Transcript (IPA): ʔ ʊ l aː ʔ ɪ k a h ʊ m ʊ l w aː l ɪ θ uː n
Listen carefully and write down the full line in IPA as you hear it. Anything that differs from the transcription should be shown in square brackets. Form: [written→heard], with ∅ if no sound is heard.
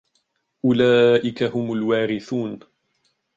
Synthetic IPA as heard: ʔ ʊ l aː ʔ ɪ k a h ʊ m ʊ l w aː [l→ɾ] ɪ θ uː n